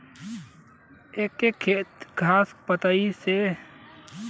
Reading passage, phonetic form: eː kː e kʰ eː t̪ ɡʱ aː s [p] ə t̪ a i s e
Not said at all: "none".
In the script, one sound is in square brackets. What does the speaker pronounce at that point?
p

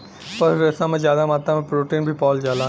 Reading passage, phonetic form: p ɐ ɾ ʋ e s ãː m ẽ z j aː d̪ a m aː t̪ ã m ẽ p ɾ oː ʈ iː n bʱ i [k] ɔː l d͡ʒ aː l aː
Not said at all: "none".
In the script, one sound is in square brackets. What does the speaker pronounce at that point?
p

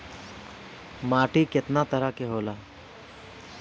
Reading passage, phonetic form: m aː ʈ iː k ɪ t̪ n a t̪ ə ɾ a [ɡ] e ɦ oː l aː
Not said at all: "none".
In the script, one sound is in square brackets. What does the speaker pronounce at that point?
k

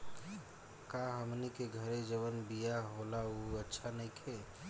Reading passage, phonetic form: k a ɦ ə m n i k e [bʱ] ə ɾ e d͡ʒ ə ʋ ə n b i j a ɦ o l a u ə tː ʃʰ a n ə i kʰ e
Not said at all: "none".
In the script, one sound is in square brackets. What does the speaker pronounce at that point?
ɡʱ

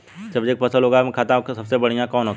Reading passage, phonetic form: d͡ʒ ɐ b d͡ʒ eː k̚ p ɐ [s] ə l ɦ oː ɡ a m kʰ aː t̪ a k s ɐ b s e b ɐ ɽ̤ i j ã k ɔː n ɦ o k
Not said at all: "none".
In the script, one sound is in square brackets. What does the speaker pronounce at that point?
s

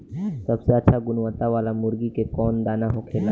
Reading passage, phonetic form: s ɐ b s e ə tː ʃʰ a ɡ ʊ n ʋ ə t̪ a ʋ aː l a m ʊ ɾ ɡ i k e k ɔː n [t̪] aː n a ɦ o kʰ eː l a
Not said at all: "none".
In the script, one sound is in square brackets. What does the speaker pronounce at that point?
d̪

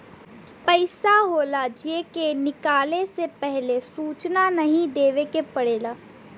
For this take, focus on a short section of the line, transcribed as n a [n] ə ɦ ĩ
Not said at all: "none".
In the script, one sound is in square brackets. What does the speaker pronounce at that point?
n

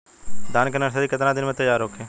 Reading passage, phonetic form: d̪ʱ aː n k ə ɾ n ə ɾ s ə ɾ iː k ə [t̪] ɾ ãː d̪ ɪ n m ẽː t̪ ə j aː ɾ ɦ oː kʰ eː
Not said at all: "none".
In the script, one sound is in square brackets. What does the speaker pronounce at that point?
t̪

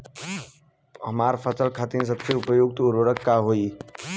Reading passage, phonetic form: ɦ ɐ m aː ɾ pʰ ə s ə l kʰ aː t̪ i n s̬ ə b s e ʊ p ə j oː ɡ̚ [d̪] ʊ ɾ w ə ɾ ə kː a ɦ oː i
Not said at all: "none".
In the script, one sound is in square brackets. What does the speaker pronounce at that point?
t̪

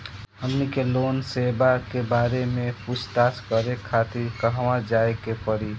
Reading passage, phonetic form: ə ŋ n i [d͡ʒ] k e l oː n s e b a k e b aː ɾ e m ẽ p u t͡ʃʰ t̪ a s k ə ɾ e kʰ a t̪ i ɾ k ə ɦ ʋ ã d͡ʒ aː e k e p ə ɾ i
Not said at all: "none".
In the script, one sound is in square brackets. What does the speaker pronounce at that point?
none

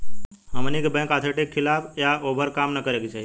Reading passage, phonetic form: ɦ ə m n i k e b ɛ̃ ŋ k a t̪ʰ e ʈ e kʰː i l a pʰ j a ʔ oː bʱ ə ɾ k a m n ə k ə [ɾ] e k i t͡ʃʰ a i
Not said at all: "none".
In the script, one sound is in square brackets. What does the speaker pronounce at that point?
ɾ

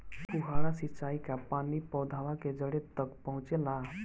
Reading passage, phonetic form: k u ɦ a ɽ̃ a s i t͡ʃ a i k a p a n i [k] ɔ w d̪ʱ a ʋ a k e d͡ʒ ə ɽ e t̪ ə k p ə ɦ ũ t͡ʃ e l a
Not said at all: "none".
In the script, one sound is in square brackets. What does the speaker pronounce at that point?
p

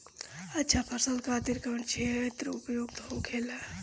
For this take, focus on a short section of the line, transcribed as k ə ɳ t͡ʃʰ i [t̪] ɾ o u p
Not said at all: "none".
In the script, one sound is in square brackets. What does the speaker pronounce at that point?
t̪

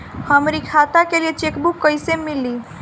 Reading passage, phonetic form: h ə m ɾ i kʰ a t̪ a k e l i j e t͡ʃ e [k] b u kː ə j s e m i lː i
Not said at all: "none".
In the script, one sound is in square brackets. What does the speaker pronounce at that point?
k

